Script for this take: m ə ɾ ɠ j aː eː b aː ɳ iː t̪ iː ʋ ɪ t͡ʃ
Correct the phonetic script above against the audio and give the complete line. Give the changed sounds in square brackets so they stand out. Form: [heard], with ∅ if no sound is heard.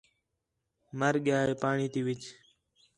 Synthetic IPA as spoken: m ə ɾ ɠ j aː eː [p] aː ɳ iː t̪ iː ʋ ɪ t͡ʃ